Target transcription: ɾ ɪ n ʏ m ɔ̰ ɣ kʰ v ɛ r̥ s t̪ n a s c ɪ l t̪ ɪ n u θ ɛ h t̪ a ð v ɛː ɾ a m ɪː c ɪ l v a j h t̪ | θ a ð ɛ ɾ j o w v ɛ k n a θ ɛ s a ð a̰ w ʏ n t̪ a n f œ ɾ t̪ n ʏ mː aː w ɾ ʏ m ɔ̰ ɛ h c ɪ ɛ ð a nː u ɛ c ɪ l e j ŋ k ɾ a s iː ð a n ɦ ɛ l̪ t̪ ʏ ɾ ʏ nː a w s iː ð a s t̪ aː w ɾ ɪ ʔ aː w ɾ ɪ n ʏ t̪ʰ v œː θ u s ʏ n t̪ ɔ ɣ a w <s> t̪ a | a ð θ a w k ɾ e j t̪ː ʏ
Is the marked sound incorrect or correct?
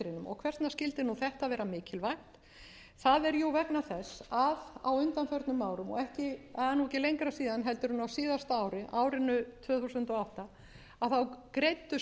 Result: incorrect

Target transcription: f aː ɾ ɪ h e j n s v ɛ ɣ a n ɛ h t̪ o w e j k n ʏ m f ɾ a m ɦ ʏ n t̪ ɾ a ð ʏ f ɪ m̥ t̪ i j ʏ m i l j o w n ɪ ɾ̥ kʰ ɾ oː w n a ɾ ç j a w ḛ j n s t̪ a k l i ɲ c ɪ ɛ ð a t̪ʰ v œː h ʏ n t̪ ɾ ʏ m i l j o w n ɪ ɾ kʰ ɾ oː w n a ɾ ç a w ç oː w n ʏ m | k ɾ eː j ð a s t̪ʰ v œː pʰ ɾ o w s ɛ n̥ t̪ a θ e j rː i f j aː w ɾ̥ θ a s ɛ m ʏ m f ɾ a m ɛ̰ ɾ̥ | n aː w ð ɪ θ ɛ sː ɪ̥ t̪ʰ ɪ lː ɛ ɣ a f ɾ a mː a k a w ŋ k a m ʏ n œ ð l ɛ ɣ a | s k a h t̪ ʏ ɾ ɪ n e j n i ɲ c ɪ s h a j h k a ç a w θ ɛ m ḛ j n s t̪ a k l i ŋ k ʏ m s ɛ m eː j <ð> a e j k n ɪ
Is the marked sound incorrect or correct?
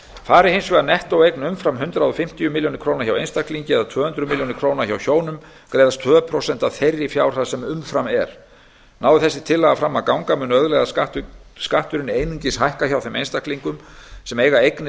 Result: incorrect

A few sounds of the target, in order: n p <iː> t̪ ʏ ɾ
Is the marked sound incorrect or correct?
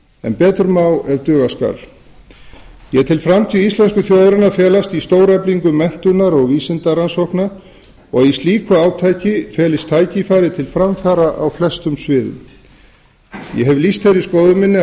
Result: incorrect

